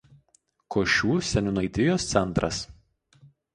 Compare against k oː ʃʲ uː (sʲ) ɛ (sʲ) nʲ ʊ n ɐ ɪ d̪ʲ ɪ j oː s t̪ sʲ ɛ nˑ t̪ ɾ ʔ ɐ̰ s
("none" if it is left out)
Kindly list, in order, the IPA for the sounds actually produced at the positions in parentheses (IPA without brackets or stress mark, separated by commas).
sʲ, none